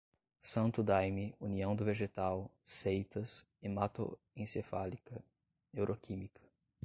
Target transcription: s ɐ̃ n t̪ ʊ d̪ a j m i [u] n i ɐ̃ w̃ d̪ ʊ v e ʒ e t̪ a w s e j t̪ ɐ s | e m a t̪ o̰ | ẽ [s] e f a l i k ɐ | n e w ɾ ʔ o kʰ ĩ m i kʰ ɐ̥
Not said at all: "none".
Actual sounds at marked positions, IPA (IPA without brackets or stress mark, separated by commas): u, s